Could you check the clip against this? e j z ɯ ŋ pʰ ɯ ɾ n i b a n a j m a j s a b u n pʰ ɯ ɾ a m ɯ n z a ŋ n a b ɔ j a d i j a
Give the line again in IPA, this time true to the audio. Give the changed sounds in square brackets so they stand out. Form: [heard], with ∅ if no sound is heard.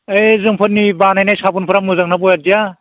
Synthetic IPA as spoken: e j z ɯ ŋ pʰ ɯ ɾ n i b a n a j [n] a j s a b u n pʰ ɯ ɾ a m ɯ [∅] z a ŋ n a b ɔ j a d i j a